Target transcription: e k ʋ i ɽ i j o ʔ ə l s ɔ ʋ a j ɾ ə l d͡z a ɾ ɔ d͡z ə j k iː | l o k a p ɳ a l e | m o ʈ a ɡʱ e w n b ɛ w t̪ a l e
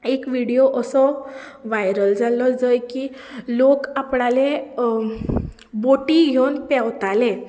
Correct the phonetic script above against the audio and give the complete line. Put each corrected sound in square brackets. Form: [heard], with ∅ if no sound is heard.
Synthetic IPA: e k ʋ i ɽ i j o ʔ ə [∅] s ɔ ʋ a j ɾ ə l d͡z a [l] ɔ d͡z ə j k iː | l o k a p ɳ a l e | [b] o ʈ [i] ɡʱ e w n [p] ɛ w t̪ a l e